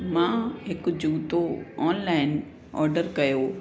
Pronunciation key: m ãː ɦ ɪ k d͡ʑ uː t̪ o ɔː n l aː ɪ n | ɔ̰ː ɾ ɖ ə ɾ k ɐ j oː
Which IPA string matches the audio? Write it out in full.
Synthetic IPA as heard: m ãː ɦ ɪ k d͡ʑ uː t̪ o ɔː n l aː ɪ n | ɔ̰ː ɾ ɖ ə ɾ k ɐ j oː